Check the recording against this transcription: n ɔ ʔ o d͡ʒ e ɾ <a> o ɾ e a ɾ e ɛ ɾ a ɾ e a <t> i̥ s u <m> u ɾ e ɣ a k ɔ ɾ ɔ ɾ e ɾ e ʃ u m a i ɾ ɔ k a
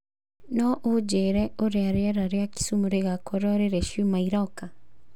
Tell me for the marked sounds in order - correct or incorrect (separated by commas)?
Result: incorrect, incorrect, correct